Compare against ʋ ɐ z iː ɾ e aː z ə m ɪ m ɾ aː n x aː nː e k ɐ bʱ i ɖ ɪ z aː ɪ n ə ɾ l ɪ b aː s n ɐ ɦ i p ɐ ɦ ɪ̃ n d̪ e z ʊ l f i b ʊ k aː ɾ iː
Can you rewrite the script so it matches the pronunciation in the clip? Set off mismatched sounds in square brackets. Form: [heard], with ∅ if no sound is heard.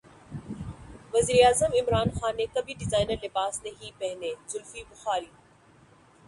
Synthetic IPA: ʋ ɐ z iː ɾ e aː z ə m ɪ m ɾ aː n x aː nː e k ɐ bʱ i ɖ ɪ z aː ɪ n ə ɾ l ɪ b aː s n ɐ ɦ i p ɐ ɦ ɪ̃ n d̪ e z ʊ l f i b ʊ [x] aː ɾ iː